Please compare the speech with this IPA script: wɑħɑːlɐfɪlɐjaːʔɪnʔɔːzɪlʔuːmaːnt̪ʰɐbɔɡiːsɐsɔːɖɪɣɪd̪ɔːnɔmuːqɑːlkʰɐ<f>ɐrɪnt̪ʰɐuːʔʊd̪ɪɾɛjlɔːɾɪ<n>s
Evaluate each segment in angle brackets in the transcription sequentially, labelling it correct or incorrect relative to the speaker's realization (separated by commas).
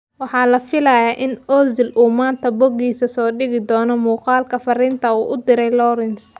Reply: correct, correct